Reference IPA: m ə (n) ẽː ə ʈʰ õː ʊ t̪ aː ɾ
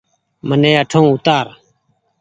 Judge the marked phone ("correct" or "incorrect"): correct